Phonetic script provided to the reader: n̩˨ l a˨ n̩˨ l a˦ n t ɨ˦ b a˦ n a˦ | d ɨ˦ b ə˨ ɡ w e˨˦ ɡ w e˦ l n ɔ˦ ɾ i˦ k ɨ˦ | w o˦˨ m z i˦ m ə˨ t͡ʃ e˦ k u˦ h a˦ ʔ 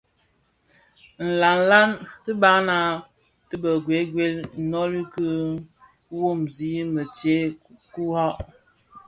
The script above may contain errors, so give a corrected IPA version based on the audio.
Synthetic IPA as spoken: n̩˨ l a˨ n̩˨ l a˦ n t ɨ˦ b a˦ n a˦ | t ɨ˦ b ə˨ ɡ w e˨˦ ɡ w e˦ l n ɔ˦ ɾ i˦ k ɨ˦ | w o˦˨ m z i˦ m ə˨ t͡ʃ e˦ k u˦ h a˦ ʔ